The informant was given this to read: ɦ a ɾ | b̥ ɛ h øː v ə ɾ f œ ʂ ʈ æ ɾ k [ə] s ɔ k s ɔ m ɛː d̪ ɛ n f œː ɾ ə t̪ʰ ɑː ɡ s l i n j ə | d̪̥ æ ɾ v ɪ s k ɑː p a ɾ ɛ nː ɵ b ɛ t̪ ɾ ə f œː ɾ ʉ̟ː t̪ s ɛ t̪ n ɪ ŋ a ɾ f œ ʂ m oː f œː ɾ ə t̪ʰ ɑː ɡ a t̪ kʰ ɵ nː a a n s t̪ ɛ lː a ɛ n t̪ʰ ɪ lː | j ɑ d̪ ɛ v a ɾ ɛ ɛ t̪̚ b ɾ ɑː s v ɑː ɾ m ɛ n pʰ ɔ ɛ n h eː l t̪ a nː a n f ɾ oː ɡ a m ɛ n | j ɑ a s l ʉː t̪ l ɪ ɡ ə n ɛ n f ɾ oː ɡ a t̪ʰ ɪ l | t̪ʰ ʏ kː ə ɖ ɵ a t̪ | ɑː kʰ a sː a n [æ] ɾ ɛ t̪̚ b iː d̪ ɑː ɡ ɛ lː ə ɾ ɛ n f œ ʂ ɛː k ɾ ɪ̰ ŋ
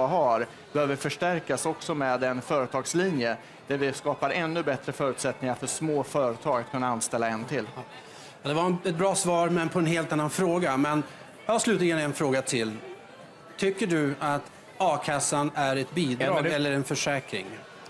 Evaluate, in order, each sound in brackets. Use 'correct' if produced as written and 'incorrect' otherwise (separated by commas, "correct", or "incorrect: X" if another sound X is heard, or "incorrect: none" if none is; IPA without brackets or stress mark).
incorrect: a, correct